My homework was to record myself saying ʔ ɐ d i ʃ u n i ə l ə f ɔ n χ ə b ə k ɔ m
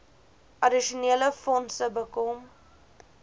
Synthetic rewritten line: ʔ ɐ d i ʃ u n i ə l ə f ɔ n s ə b ə k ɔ m